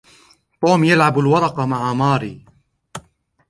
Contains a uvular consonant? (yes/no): yes